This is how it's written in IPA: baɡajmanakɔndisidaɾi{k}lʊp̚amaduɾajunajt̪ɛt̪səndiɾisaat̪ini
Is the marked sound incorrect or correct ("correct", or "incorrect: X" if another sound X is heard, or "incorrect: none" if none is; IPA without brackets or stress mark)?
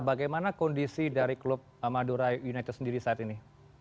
correct